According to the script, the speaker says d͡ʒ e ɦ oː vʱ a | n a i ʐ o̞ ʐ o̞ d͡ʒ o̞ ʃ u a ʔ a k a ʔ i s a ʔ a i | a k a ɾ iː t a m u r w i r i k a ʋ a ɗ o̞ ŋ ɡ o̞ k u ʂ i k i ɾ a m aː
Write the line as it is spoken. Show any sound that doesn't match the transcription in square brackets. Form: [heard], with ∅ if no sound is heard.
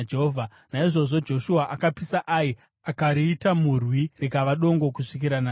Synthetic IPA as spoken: d͡ʒ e ɦ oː vʱ a | n a i ʐ o̞ ʐ o̞ d͡ʒ o̞ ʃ u a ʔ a k a [p] i s a ʔ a i | a k a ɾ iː t a m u r w i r i k a ʋ a ɗ o̞ ŋ ɡ o̞ k u ʂ i k i ɾ a [n] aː